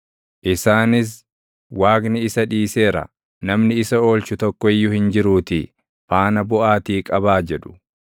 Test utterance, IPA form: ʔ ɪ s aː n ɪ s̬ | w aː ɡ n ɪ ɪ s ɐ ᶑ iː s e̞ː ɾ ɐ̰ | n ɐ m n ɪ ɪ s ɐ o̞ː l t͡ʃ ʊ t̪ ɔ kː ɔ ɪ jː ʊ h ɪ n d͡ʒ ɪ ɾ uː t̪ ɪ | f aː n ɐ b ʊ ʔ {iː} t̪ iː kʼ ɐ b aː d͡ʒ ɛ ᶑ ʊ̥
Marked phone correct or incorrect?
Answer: incorrect